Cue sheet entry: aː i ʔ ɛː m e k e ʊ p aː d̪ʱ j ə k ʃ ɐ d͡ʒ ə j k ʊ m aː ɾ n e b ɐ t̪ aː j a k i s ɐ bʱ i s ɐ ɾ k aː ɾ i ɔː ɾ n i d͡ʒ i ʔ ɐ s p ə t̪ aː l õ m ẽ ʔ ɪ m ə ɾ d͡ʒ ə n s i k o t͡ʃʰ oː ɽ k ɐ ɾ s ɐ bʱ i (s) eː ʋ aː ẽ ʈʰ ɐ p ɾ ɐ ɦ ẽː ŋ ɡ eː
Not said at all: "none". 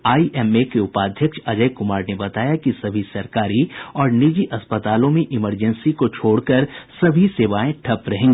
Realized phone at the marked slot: s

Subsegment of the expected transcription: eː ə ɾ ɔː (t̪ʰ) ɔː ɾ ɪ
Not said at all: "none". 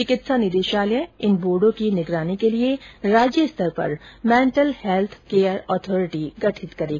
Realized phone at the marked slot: t̪ʰ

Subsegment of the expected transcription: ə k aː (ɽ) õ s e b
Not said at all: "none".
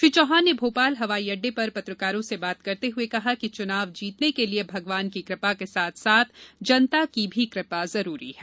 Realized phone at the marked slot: ɾ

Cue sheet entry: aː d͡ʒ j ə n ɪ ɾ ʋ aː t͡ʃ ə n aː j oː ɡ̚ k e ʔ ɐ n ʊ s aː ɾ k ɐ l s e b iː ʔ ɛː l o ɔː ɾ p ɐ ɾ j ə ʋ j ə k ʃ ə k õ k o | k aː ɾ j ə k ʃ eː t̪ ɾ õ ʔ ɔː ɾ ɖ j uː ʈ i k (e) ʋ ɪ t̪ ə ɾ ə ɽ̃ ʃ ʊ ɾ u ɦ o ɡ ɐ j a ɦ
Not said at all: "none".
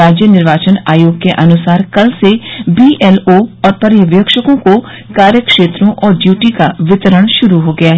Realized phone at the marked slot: a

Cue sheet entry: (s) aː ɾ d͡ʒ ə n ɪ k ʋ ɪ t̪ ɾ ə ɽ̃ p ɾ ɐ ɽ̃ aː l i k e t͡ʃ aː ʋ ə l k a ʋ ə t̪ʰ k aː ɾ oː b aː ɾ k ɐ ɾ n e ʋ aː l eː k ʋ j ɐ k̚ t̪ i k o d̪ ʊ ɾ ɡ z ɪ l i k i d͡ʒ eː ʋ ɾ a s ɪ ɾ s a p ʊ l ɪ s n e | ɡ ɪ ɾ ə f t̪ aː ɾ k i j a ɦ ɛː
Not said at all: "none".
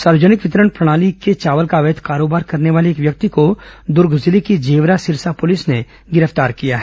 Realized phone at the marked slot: s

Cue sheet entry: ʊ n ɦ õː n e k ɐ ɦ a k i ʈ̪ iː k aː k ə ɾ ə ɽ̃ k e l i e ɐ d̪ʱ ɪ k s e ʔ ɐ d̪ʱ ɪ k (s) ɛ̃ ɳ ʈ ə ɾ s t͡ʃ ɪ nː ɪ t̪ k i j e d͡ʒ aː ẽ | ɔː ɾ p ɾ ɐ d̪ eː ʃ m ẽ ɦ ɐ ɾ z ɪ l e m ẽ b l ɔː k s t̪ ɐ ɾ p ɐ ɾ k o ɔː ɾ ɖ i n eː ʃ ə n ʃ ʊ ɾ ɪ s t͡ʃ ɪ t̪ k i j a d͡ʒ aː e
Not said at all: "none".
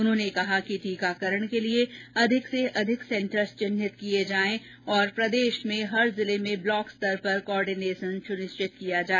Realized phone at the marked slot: s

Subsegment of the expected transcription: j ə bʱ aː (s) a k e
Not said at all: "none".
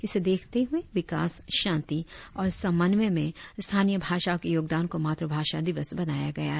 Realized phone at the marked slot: ʃ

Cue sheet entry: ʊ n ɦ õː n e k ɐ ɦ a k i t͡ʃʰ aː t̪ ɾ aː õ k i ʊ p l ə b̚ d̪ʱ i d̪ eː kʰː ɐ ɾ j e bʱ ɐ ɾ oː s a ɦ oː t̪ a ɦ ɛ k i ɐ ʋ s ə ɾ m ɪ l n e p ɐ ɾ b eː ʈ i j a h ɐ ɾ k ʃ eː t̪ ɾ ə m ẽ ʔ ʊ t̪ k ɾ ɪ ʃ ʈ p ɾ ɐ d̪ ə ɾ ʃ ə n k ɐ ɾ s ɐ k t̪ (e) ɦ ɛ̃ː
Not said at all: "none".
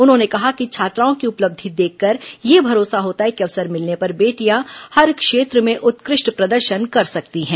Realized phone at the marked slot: i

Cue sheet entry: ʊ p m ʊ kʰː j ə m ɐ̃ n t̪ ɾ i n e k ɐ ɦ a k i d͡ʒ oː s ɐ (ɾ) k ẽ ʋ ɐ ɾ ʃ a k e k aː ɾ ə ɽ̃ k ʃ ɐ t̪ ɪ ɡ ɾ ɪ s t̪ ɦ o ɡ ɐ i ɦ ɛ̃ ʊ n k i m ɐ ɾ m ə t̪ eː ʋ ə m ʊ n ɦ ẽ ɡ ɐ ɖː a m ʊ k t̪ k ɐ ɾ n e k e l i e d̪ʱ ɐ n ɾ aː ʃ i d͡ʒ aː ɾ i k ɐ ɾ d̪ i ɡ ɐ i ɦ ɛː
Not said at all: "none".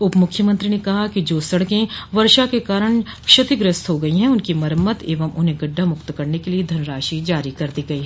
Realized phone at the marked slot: ɽ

